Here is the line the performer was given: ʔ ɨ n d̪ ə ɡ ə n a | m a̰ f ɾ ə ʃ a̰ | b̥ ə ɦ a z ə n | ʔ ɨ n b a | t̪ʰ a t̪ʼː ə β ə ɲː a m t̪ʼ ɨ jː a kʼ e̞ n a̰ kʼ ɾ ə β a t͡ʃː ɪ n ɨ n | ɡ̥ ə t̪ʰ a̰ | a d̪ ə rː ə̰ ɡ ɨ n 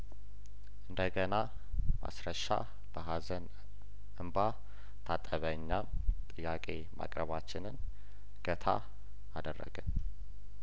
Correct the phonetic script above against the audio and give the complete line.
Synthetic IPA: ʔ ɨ n d̪ ə ɡ ə n a | m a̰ s ɾ ə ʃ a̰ | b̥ ə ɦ a z ə n | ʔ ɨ m b a | t̪ʰ a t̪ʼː ə β ə ɲː a m t̪ʼ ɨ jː a kʼ e̞ m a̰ kʼ ɾ ə β a t͡ʃː ɪ n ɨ n | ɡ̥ ə t̪ʰ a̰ | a d̪ ə rː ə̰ ɡ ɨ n